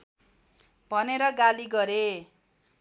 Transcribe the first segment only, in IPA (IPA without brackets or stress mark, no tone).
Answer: bʱ